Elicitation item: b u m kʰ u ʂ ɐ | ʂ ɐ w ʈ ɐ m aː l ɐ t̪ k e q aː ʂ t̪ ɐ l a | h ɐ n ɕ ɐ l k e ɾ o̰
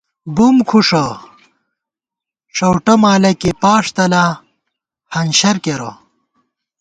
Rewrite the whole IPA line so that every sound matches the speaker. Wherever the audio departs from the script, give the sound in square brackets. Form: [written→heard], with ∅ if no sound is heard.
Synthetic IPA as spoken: b u m kʰ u ʂ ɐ | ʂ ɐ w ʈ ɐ m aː l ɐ [t̪→∅] k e [q→p] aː ʂ t̪ ɐ l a | h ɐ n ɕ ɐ [l→ɾ] k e ɾ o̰